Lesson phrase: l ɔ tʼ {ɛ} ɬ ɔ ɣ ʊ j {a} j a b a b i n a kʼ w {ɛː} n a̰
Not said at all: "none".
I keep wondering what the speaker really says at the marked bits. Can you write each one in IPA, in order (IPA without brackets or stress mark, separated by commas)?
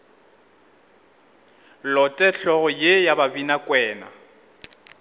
ɛ, e, ɛː